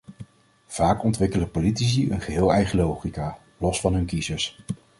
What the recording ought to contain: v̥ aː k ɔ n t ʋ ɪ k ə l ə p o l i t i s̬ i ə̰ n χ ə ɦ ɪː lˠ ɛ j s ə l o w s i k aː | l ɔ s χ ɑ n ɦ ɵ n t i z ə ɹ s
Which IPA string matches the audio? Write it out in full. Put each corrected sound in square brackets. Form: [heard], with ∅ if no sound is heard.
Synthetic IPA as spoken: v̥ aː k ɔ n t ʋ ɪ k ə l ə p o l i t i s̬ i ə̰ n χ ə ɦ ɪː lˠ ɛ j [χ] ə l o w [χ] i k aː | l ɔ s [f] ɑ n ɦ ɵ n [k] i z ə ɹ s